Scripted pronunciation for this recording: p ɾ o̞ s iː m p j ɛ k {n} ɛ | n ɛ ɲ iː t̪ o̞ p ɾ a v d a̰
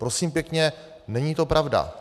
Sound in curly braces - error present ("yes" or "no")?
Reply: yes